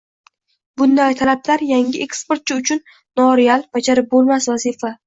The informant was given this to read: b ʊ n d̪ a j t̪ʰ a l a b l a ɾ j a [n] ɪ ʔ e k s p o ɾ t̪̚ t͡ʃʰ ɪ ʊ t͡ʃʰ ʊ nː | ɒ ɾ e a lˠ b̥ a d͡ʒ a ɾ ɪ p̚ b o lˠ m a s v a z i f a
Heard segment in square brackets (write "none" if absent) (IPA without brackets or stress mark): ŋ